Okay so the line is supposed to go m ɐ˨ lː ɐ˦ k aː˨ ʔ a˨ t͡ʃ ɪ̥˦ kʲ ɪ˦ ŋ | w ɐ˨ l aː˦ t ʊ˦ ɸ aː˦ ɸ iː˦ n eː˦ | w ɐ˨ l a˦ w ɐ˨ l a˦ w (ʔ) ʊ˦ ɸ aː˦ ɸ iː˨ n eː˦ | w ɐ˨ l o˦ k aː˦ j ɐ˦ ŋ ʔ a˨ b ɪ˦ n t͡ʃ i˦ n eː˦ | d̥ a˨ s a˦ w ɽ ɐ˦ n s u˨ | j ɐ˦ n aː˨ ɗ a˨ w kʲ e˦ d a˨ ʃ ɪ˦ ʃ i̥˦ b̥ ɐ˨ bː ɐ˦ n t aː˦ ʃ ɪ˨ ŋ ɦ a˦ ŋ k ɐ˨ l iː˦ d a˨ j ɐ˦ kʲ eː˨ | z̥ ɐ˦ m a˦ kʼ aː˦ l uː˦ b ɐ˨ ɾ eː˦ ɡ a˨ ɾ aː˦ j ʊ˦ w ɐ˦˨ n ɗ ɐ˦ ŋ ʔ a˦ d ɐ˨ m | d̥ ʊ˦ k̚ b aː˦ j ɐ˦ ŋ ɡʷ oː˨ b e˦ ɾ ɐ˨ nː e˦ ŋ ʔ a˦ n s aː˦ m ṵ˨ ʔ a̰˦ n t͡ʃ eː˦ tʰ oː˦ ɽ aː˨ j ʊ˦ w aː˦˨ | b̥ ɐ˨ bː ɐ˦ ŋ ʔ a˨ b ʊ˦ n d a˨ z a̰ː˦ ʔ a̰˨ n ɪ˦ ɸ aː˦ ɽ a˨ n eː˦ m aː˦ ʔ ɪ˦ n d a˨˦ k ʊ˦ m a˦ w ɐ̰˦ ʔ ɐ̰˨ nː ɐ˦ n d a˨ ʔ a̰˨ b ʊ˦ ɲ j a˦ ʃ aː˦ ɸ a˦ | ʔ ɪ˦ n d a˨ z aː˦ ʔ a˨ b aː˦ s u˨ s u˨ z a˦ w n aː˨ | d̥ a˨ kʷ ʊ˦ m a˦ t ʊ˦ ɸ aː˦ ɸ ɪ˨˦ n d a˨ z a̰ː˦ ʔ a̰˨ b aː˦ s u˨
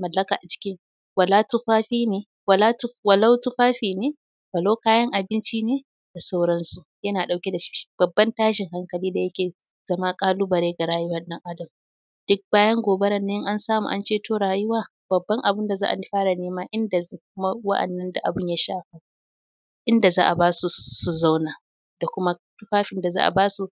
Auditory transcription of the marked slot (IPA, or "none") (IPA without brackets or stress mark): t